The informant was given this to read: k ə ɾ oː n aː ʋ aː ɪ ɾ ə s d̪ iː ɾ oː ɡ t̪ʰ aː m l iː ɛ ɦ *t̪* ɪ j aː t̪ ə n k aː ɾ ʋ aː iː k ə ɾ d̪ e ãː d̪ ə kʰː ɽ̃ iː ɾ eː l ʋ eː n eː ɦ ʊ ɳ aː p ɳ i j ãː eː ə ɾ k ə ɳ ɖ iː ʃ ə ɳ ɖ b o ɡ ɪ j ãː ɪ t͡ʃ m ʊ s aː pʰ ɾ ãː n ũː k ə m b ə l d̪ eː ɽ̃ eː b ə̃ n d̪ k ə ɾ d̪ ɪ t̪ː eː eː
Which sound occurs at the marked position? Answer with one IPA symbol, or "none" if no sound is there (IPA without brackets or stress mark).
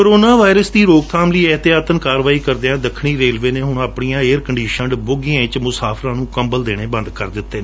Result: t̪